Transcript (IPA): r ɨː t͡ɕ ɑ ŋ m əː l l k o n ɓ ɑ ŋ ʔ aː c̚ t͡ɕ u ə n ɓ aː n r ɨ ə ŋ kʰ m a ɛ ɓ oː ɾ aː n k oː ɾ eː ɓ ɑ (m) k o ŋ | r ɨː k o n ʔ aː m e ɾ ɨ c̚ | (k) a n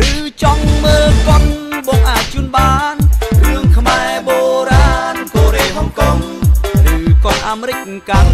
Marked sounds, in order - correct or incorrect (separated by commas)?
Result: incorrect, correct